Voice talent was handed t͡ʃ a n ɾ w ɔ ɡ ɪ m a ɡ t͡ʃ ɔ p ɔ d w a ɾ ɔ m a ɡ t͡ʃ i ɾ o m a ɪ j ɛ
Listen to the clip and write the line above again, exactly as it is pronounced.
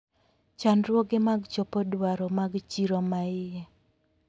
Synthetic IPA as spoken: t͡ʃ a n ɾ w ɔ ɡ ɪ m a ɡ t͡ʃ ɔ p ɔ d w a ɾ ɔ m a ɡ t͡ʃ i ɾ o m a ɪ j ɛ